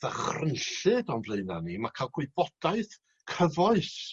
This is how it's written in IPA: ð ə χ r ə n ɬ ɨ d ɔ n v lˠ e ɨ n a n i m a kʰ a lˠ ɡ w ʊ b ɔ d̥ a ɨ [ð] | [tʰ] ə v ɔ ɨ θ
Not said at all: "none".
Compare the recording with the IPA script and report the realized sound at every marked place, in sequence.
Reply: θ, kʰ

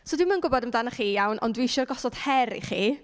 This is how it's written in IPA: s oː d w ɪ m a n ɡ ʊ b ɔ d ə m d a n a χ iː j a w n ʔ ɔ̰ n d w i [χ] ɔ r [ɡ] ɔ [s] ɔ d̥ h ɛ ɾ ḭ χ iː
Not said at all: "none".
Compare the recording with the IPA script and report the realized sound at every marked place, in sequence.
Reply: ʃ, ɡ, s

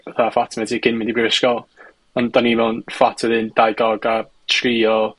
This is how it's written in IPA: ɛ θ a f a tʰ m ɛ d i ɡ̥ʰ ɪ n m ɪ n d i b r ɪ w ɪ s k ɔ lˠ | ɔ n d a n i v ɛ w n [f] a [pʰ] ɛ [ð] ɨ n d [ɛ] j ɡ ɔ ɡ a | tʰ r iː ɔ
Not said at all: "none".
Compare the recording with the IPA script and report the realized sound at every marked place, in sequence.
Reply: f, tʰ, ð, a

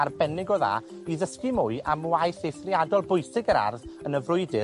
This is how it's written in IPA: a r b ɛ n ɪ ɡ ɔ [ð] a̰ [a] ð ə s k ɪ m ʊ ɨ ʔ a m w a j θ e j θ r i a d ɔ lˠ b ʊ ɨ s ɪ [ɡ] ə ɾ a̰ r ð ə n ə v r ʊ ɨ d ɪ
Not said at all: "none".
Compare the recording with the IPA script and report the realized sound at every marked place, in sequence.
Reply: ð, i, ɡ

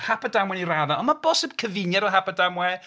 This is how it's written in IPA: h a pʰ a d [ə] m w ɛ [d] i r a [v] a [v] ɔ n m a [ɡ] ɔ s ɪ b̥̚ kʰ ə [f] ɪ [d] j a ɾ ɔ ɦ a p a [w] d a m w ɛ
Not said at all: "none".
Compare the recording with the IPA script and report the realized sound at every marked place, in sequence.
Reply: a, n, ð, none, b, v, n, none

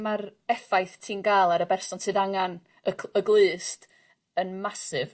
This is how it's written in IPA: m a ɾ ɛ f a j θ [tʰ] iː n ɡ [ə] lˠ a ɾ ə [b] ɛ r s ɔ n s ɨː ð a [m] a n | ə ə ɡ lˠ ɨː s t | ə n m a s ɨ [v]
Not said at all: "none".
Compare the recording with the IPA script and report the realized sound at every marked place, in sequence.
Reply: tʰ, a, b, ŋ, v

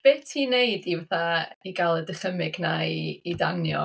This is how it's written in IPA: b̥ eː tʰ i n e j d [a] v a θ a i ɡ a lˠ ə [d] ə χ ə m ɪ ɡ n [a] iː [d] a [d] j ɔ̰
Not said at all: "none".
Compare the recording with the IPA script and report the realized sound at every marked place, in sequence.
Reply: i, d, a, d, n

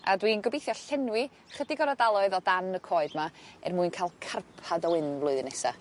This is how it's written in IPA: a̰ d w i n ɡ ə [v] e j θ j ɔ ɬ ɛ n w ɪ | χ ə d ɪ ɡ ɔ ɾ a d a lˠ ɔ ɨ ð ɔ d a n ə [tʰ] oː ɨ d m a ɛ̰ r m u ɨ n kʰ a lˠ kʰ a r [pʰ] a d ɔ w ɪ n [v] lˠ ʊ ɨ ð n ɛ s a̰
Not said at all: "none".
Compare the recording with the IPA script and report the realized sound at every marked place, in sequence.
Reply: b, kʰ, pʰ, v

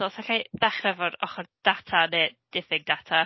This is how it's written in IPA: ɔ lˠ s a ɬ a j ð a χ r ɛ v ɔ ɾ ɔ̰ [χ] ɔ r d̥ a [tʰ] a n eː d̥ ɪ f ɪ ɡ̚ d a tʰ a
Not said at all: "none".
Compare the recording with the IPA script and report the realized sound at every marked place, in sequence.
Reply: χ, tʰ

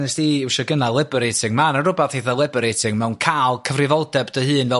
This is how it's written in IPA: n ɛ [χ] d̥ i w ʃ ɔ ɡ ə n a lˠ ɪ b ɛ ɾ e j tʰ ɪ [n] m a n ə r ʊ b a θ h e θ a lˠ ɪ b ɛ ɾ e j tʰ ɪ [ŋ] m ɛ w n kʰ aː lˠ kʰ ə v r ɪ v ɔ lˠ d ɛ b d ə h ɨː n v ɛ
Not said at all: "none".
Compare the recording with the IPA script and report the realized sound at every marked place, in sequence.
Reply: s, ŋ, ŋ

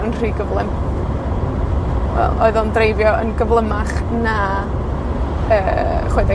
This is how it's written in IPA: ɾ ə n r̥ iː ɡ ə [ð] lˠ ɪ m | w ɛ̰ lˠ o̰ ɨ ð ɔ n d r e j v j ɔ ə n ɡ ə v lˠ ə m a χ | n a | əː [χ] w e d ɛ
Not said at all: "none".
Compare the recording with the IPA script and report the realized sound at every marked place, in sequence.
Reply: v, χ

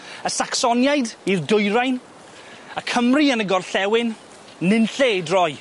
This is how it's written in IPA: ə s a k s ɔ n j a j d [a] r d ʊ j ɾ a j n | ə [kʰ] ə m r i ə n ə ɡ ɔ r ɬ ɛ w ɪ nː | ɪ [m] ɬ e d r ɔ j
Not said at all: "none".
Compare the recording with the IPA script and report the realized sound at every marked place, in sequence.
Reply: i, kʰ, n

